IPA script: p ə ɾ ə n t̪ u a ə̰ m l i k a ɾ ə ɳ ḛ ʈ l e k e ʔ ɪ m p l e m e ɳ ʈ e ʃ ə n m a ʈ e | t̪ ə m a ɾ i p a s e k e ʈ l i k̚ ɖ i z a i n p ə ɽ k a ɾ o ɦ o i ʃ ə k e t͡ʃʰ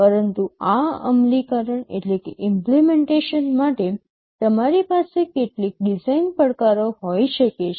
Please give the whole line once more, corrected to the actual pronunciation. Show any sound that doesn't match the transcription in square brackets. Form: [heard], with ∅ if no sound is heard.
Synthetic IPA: p ə ɾ ə n t̪ u a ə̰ m l i k a ɾ ə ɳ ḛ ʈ l e k e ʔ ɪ m p l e m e ɳ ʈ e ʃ ə n m a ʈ e | t̪ ə m a ɾ i p a s e k e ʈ l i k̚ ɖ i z a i n p ə ɽ k a ɾ o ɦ o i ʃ ə k e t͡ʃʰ